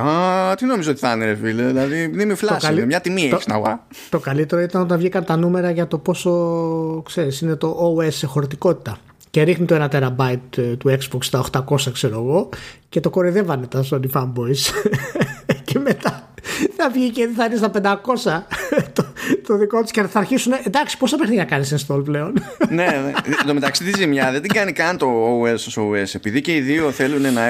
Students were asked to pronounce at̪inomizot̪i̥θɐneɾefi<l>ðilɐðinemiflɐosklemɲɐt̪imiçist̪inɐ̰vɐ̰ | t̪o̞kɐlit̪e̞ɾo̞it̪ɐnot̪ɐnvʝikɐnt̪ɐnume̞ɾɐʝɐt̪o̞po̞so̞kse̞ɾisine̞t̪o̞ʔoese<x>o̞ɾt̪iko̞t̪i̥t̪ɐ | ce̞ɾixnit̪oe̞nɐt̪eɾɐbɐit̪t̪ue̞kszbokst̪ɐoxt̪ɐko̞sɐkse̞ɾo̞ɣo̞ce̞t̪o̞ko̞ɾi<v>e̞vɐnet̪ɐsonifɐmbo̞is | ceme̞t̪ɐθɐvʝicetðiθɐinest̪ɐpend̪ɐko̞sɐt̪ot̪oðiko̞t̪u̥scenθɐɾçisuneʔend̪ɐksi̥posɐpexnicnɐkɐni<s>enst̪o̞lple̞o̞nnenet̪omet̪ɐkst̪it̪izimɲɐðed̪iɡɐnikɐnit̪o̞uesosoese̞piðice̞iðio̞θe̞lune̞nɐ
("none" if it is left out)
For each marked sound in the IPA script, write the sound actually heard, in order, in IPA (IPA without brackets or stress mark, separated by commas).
l, x, ð, s